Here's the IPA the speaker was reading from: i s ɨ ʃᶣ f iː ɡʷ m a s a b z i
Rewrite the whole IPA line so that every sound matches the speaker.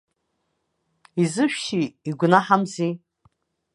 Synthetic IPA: i z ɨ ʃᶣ ʃ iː ɡʷ n a ħ a m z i